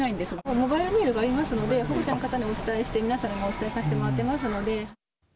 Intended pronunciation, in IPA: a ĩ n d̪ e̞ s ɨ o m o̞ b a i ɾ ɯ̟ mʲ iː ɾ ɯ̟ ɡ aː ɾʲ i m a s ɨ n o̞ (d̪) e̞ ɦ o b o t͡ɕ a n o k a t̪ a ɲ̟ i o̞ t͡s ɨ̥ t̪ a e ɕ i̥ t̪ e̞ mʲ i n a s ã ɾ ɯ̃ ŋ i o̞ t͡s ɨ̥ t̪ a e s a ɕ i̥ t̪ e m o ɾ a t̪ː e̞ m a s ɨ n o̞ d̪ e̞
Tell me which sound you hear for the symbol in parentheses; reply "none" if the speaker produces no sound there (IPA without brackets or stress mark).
d̪